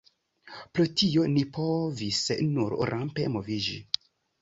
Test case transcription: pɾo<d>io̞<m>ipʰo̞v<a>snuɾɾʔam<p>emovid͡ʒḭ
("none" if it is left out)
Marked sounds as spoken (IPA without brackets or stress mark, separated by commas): t, n, i, p